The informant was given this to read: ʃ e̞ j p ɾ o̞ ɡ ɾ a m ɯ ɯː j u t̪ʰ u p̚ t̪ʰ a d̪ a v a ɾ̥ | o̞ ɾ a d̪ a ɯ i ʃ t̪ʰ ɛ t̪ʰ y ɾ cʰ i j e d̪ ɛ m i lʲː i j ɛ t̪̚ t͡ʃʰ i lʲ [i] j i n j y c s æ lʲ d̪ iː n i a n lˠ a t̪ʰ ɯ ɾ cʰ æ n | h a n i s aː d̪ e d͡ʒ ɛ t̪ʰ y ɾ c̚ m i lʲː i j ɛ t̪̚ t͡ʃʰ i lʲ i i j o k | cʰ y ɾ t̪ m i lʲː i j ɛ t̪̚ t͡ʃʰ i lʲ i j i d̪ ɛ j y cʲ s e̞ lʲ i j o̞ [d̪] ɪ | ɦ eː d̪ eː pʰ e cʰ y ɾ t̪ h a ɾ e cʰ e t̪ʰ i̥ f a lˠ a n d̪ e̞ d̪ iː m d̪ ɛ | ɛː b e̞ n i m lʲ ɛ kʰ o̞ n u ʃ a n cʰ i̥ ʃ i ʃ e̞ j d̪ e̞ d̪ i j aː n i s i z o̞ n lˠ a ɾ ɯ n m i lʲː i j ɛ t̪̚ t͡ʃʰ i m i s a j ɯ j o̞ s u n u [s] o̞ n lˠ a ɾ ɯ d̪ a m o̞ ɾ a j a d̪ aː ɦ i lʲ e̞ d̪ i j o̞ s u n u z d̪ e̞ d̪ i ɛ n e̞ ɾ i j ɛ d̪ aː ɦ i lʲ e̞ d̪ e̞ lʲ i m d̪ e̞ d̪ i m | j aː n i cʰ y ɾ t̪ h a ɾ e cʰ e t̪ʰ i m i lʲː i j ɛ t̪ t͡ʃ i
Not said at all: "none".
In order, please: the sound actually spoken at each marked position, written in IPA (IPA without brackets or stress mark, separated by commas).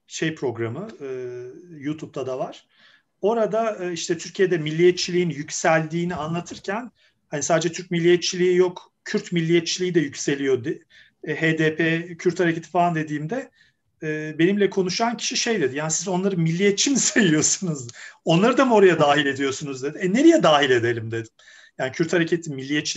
i, d̪, z